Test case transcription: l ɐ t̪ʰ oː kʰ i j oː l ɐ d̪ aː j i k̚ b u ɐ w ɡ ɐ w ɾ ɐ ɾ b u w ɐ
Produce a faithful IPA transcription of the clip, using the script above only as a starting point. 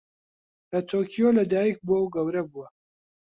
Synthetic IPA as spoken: l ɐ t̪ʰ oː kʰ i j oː l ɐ d̪ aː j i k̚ b u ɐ w ɡ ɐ w ɾ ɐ b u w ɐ